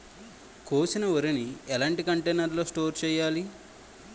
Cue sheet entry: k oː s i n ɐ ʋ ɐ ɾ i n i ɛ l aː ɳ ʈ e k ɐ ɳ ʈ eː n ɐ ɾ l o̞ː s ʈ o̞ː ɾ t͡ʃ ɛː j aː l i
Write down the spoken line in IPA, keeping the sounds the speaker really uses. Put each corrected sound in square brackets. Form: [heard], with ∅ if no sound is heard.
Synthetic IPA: k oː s i n ɐ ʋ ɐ ɾ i n i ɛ l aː ɳ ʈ [i] k ɐ ɳ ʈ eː n ɐ ɾ l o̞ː s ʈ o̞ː ɾ t͡ʃ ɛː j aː l i